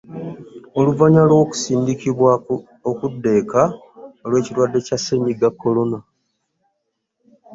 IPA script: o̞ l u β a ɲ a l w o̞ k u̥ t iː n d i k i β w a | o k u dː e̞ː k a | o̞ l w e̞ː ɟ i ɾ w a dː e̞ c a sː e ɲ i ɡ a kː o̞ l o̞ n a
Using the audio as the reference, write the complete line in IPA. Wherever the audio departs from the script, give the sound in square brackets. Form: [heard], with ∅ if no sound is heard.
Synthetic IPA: o̞ l u [v] a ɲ a l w o̞ k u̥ [s] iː n d i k i β w a | o k u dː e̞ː k a | o̞ l w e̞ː [c] i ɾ w a dː e̞ c a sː e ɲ i ɡ a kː o̞ l o̞ n a